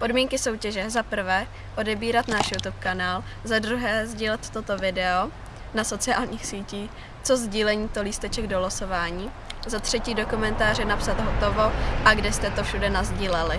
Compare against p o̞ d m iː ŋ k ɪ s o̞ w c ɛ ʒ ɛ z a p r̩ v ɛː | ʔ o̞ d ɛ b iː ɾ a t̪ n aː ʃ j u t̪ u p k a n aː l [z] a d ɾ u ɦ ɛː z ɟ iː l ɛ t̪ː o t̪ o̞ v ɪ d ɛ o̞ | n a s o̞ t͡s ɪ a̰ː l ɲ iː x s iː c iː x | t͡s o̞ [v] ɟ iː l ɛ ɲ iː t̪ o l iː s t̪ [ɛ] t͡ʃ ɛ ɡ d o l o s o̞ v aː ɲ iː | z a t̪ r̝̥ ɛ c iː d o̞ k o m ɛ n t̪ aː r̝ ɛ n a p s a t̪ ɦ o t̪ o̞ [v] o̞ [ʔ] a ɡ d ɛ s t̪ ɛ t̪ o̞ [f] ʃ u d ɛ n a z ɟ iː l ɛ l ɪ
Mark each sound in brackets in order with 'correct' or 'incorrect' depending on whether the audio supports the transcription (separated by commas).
correct, incorrect, correct, correct, correct, correct